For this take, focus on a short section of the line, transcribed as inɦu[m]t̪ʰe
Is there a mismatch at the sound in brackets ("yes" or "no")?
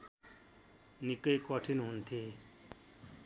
yes